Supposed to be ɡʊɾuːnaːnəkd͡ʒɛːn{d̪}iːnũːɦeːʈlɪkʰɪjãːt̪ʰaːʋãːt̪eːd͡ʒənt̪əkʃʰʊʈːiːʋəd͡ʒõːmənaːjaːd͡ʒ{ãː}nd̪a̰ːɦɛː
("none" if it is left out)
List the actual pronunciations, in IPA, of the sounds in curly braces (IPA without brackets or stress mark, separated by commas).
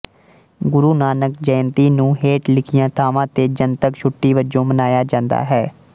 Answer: t̪, ãː